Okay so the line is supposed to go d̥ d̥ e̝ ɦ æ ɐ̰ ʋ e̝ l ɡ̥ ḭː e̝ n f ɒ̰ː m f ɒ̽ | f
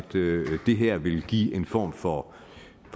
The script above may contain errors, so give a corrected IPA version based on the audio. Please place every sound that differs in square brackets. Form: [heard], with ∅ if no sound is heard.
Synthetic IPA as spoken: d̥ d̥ e̝ ɦ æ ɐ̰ ʋ e̝ l ɡ̥ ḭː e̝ n f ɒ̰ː m f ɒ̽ | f